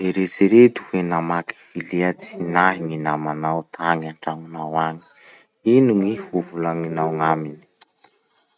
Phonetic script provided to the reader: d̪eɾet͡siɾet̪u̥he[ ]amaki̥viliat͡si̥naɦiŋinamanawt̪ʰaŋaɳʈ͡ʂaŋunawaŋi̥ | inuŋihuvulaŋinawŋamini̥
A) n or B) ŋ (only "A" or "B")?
A